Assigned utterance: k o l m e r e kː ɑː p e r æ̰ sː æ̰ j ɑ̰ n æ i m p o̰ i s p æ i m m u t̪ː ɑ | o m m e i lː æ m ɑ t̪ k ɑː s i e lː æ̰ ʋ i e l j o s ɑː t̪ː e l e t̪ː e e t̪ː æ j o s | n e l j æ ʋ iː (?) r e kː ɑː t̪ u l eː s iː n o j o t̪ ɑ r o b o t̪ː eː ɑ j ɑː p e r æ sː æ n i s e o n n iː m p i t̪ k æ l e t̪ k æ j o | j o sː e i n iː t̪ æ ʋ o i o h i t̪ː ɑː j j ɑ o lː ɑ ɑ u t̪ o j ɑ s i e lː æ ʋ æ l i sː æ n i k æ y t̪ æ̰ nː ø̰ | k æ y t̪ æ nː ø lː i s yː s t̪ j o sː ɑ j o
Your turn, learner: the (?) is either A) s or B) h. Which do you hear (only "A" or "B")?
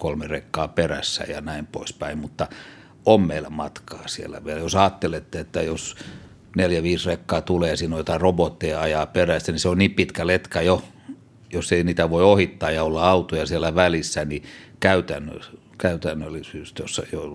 A